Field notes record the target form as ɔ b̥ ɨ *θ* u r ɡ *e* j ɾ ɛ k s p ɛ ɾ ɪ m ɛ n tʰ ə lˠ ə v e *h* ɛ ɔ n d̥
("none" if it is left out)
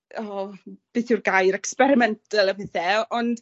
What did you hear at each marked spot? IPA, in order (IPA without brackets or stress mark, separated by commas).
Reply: θ, a, θ